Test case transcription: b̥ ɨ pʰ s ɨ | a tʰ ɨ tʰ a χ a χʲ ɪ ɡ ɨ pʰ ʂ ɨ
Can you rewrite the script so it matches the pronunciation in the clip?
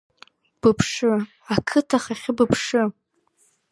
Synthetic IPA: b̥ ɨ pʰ ʂ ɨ | a kʰ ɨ tʰ a χ a χʲ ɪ b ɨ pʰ ʂ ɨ